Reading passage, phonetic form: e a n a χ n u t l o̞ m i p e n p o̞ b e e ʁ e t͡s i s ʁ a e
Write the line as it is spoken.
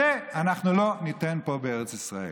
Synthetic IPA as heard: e a n a χ n u l o̞ n i t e n p o̞ b e e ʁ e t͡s i s ʁ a e